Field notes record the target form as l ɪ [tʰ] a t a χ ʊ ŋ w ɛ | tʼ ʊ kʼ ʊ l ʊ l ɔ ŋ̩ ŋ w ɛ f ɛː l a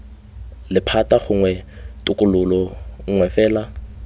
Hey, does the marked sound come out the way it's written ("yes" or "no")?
no